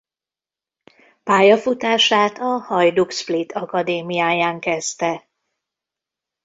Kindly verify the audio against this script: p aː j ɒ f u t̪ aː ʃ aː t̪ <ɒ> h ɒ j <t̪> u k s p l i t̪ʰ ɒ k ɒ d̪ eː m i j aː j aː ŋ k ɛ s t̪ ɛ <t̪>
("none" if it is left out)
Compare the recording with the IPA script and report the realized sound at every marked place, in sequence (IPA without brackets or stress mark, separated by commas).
ɒ, d̪, none